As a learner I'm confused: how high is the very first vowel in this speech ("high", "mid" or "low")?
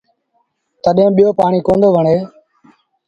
mid